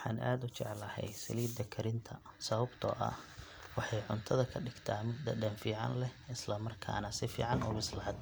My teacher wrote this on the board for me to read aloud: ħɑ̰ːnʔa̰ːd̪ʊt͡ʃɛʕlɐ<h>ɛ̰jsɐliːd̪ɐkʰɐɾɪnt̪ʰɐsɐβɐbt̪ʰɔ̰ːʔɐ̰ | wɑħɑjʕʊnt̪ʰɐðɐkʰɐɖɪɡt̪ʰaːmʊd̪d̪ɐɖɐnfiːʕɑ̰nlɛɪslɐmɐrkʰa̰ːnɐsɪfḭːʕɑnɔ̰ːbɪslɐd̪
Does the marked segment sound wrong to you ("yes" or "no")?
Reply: no